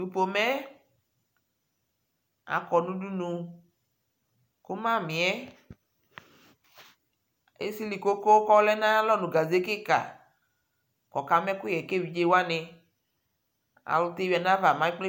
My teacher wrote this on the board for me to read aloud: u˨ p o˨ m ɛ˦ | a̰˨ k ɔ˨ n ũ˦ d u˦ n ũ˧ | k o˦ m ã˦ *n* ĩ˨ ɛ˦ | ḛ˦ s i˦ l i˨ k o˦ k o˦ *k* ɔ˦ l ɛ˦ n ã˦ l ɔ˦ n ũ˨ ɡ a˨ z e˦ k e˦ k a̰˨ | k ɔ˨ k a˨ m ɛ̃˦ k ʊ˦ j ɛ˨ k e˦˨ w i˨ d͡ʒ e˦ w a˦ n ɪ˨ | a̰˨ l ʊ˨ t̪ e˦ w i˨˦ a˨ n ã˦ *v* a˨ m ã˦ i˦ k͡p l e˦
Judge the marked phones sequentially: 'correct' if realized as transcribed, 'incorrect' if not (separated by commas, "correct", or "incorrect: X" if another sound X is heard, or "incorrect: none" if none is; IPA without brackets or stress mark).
incorrect: m, correct, correct